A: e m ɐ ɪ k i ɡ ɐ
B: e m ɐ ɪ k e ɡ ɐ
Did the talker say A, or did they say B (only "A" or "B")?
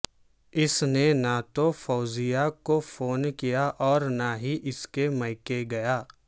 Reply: B